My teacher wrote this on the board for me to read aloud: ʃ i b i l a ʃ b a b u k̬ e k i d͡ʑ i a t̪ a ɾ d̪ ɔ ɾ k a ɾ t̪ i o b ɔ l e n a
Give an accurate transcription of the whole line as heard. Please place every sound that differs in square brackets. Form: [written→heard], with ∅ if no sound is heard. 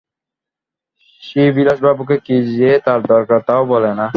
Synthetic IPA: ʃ i b i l a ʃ b a b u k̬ e k i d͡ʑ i [a→e] t̪ a ɾ d̪ ɔ ɾ k a ɾ t̪ [i→a] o b ɔ l e n a